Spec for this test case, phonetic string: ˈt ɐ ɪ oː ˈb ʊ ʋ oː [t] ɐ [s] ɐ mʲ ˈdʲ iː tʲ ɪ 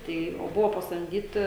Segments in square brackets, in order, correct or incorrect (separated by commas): incorrect, correct